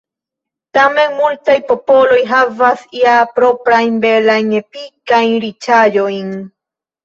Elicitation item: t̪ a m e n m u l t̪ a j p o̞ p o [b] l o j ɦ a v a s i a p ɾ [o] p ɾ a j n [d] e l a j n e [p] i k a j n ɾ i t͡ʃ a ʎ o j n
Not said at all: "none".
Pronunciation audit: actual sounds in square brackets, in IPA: none, o, b, p

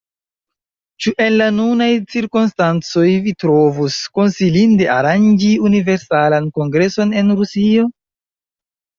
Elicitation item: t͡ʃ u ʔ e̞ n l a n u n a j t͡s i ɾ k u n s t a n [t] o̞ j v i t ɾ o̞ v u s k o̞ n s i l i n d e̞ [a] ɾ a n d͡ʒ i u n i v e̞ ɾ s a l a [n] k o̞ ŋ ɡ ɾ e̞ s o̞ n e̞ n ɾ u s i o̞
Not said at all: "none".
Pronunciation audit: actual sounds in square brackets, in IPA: t͡s, a, n

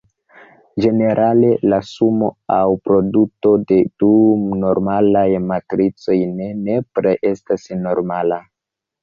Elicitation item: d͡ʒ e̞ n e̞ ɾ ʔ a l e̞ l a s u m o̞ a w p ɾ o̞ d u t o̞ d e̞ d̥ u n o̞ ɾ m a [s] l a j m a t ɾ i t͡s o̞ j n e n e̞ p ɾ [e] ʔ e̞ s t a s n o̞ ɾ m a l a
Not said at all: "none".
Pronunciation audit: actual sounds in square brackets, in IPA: none, e

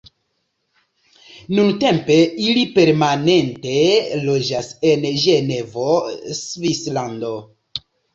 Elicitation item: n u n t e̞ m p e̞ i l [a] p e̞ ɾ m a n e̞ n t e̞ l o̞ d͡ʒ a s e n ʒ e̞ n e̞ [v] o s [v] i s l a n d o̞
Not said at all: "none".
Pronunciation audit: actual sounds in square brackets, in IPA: i, v, v

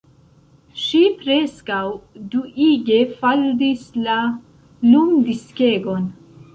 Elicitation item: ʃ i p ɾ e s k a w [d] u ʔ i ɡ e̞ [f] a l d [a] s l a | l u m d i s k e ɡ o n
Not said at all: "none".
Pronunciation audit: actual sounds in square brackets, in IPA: d, f, i

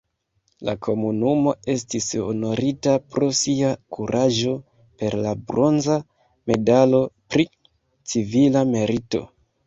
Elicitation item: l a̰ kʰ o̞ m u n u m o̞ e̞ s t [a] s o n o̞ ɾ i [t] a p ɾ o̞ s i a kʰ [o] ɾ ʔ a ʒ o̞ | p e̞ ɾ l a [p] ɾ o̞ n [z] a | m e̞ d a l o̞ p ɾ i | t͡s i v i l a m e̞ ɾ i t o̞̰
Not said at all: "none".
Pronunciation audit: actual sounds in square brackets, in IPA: i, t, u, b, z

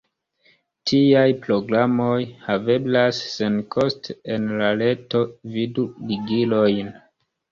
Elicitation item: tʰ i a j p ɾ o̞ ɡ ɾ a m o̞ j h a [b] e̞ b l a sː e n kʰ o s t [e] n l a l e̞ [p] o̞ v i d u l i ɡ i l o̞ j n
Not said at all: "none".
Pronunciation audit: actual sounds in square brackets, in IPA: v, e, t

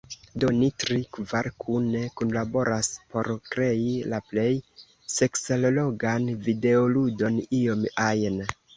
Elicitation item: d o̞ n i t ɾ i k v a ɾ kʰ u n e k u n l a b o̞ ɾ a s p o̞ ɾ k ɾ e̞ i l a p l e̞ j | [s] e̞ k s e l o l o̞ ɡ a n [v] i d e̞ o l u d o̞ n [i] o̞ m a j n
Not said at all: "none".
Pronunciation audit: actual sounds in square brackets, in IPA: s, v, i

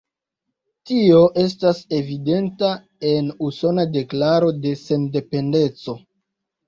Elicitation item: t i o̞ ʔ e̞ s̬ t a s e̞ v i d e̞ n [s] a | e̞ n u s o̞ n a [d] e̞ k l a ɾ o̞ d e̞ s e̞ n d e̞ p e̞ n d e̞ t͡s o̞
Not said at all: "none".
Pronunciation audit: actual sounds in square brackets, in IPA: t, d

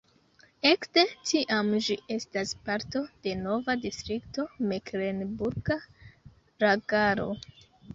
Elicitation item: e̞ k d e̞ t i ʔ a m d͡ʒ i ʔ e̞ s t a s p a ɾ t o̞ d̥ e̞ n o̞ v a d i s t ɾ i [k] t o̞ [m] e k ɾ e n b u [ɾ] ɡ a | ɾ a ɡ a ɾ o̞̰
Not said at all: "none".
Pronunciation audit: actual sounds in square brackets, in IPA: k, m, ɾ

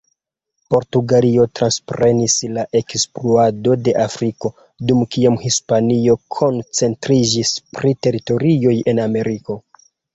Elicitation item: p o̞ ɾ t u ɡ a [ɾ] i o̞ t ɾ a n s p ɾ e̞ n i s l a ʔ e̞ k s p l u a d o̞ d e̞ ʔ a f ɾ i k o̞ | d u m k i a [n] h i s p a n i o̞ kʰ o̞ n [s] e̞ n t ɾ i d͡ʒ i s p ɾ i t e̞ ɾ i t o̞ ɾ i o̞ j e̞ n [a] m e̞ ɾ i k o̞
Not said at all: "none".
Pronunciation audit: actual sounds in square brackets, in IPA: l, m, t͡s, a

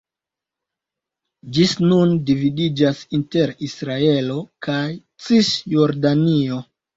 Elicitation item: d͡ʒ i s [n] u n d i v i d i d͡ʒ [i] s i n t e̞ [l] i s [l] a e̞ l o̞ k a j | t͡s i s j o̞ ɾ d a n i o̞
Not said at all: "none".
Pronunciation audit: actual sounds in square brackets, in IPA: n, a, ɾ, ɾ

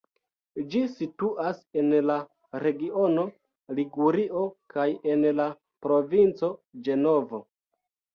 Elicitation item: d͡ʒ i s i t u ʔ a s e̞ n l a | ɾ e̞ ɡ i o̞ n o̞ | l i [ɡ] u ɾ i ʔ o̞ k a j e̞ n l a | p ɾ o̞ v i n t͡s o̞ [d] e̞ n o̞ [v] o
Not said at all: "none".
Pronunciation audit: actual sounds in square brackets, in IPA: ɡ, d͡ʒ, v

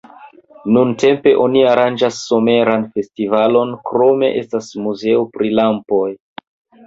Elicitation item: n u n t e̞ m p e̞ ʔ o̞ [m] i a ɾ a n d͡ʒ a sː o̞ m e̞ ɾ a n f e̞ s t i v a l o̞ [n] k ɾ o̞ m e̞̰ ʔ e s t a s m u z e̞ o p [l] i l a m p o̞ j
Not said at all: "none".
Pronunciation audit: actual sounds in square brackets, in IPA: n, n, ɾ

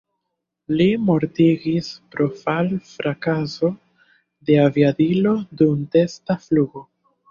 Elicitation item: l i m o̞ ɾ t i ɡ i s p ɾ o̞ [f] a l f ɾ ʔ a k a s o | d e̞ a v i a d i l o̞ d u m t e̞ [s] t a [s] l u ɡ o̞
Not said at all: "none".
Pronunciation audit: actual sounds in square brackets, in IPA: f, s, f

